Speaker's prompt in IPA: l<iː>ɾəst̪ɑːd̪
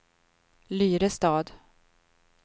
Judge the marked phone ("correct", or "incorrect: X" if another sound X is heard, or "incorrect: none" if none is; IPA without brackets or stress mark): incorrect: yː